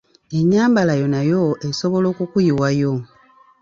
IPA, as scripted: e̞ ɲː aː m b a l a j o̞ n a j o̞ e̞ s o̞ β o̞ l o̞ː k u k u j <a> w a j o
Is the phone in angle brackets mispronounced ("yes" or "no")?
yes